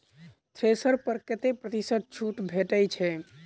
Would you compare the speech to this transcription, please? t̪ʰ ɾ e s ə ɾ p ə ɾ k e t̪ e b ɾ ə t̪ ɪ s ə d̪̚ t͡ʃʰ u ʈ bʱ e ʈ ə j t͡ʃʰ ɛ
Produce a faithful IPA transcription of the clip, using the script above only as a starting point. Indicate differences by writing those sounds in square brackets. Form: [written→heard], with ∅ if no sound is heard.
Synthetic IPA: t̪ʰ ɾ e s ə ɾ p ə ɾ k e t̪ e [b→p] ɾ ə t̪ [ɪ→i] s ə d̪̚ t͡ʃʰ u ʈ bʱ e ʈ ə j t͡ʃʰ ɛ